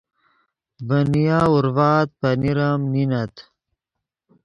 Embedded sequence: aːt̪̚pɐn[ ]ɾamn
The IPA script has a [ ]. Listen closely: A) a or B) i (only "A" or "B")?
B